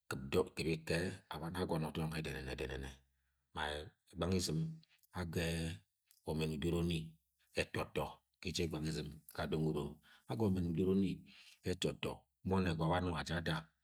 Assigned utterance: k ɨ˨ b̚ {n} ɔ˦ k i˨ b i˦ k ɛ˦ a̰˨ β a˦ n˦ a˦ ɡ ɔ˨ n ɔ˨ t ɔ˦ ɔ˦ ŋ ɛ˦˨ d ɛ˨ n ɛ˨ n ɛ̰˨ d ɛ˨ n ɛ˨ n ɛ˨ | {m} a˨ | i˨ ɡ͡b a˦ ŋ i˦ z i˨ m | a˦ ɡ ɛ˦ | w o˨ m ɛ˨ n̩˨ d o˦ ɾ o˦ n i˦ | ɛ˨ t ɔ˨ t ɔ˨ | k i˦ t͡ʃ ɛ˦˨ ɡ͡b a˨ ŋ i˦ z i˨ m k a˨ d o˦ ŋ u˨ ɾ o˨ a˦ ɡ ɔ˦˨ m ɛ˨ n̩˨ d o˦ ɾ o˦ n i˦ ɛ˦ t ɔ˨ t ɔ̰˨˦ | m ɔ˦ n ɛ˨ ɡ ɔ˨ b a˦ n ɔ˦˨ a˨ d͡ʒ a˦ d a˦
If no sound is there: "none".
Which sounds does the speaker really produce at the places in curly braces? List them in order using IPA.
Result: d, m

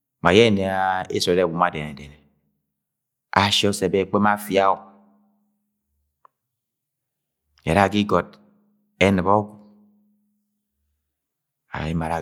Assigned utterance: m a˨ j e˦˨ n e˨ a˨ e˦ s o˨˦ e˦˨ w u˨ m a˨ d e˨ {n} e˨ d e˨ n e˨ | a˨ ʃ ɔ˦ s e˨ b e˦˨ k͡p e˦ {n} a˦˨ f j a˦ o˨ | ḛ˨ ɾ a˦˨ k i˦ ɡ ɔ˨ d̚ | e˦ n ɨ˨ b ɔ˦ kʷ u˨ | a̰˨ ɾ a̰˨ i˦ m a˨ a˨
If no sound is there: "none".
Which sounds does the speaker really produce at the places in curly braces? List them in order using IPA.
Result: n, m

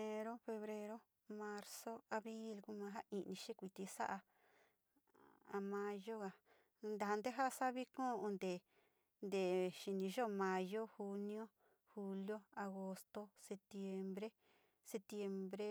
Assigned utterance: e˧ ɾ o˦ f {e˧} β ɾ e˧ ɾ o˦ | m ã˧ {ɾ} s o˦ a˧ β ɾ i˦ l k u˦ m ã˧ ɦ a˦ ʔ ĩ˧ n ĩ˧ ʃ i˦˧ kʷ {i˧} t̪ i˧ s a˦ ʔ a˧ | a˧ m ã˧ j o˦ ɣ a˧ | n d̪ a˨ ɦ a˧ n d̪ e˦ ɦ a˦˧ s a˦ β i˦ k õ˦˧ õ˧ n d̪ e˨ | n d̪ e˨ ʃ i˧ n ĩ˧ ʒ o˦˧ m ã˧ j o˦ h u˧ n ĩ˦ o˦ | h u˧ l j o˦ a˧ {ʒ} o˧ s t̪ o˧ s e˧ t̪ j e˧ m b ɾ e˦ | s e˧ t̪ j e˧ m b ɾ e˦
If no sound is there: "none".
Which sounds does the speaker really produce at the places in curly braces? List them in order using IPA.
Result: e˧, ɾ, i˧, ɣ

